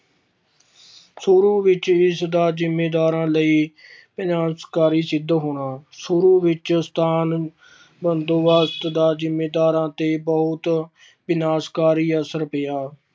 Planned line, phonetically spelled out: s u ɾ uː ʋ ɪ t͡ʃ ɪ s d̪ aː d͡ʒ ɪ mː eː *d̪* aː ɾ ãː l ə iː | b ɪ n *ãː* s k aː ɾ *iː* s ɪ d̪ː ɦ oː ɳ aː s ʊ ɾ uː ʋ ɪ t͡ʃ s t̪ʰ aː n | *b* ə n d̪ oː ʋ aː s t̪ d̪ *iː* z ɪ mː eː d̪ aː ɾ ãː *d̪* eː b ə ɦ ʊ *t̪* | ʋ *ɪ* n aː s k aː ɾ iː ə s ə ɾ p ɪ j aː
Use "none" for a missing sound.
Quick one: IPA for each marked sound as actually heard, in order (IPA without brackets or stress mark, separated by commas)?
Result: d̪, aː, iː, b, aː, t̪, t̪, ɪ